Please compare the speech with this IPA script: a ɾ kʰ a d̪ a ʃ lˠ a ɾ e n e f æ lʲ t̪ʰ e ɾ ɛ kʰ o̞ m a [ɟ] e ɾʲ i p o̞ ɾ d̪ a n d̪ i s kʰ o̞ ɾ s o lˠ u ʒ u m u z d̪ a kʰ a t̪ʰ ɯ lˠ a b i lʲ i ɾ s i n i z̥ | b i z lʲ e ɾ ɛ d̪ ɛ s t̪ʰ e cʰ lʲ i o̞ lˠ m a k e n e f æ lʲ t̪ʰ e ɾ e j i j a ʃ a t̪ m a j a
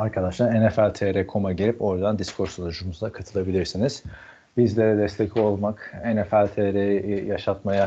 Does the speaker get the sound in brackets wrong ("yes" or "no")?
no